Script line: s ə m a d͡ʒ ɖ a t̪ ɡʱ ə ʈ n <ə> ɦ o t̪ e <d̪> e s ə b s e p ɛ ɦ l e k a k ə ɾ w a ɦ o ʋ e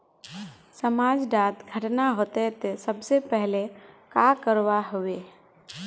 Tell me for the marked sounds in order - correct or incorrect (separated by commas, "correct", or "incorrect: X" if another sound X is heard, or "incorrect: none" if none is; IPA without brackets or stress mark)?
incorrect: a, incorrect: t̪